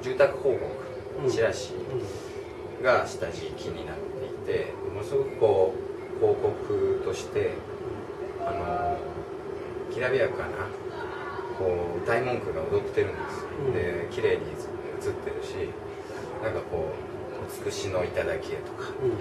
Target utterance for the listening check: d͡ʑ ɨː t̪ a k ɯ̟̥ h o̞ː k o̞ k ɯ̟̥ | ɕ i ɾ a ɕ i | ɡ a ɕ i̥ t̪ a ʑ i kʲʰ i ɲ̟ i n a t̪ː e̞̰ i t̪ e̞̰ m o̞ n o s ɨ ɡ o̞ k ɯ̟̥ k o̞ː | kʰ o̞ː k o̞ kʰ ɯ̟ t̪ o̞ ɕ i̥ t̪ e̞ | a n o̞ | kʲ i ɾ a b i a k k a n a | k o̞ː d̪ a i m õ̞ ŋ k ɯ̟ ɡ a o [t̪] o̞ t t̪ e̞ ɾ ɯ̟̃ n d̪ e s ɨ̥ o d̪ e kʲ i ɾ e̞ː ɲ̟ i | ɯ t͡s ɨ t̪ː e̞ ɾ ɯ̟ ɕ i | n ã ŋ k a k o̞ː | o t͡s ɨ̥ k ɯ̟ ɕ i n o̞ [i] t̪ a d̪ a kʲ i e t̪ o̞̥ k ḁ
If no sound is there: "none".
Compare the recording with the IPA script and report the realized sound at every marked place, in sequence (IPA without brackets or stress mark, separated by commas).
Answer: d̪, i